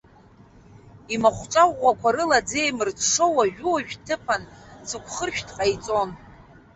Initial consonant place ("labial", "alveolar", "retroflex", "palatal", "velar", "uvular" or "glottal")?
labial